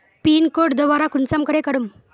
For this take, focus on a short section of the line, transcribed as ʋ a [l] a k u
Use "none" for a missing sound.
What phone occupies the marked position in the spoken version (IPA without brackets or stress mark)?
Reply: ɾ